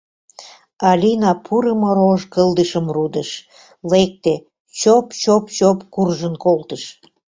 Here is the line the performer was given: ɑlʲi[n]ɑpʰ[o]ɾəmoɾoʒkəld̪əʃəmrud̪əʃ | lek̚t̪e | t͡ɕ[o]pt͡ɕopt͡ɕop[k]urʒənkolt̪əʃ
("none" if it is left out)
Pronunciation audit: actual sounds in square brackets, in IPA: n, u, o, k

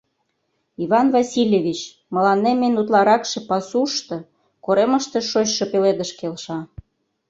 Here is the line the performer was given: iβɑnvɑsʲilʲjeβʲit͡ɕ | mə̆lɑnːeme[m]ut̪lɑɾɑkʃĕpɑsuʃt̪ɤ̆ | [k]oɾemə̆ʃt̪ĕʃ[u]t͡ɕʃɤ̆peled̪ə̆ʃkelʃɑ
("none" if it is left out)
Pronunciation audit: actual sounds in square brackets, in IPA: n, k, o

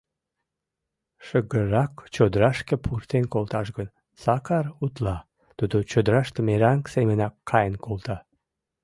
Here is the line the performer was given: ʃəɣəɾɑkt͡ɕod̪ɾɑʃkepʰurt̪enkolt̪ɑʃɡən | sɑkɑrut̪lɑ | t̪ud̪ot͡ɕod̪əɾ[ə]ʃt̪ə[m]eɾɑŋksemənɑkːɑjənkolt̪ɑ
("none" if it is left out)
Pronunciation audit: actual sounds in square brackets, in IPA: ɑ, m

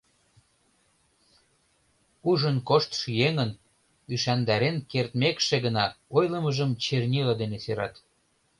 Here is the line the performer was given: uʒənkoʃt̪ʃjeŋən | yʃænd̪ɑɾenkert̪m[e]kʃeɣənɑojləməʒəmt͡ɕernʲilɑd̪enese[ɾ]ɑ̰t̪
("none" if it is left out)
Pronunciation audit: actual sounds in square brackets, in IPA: e, ɾ

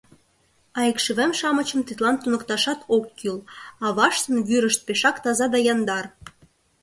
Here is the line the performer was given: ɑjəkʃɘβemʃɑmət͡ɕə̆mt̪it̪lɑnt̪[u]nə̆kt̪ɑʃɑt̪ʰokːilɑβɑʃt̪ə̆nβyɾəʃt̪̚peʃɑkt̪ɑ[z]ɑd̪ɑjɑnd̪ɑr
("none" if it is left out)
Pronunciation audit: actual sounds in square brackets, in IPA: u, z

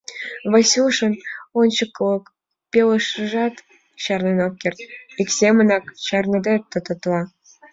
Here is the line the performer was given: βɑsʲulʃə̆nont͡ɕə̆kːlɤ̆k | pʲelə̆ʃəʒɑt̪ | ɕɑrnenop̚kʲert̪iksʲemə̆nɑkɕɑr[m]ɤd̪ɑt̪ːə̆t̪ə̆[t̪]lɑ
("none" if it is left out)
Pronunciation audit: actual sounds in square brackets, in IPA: n, t̪

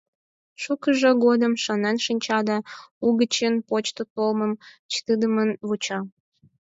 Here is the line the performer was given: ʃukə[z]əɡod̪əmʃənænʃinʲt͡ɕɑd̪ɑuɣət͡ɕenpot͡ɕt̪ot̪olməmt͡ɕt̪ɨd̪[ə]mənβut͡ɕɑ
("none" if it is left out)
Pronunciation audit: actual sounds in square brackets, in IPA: ʒ, ə

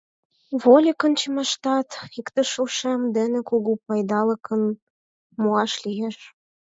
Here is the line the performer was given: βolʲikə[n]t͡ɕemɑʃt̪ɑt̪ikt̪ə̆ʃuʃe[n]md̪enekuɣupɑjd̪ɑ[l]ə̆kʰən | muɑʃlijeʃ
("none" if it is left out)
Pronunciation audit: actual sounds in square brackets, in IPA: n, none, l

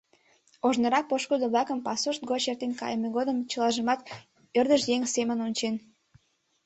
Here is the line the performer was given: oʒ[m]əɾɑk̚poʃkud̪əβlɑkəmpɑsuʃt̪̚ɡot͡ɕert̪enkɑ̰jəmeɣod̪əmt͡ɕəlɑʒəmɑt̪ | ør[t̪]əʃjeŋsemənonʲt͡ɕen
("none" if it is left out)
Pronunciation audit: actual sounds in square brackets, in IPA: n, d̪

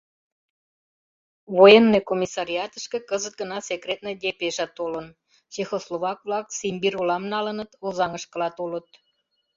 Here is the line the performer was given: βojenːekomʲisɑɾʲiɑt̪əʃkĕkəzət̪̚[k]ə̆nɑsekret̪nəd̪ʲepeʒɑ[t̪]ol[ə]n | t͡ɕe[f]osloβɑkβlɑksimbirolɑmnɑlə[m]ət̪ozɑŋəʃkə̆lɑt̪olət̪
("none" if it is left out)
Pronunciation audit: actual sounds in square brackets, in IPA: ɡ, t̪, ə, x, n

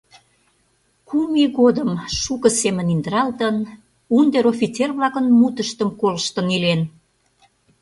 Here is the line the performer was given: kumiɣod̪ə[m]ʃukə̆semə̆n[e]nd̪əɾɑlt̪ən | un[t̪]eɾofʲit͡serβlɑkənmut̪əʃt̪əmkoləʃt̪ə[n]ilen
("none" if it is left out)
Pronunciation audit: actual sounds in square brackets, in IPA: m, i, d̪, n

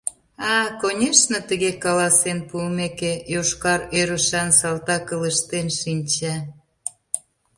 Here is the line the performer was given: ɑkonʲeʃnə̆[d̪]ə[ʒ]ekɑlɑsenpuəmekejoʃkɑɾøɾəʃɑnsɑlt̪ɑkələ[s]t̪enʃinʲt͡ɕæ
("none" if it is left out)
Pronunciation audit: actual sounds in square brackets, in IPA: t̪, ɣ, ʃ

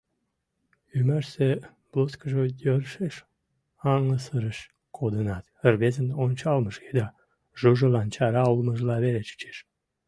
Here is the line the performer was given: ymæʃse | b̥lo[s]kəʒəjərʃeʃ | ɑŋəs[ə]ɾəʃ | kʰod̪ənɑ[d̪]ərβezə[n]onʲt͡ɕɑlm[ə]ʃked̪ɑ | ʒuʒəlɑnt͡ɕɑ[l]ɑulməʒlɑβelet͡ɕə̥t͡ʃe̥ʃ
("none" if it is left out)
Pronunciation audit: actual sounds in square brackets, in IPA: s, ə, t̪, n, ə, ɾ

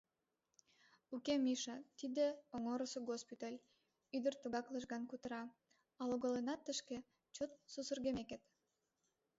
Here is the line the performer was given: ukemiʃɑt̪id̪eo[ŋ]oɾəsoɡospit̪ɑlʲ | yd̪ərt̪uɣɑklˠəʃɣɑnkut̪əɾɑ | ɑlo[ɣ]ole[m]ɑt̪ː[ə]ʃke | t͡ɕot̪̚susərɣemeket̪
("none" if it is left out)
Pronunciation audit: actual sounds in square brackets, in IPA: ŋ, ɣ, n, ə

